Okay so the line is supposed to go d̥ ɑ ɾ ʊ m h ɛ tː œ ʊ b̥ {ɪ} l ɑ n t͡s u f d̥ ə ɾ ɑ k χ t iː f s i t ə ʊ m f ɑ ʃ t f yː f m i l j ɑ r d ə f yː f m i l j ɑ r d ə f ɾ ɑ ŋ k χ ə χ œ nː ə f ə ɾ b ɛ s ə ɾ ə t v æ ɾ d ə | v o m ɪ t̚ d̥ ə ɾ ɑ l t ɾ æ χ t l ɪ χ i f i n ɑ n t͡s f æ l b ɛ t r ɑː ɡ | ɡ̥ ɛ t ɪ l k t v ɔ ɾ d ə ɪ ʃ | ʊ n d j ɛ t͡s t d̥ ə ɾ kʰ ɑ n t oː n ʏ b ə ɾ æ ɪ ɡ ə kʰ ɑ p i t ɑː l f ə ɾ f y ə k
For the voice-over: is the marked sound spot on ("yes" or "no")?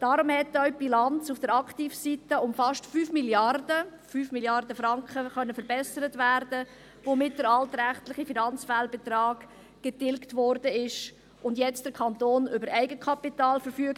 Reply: no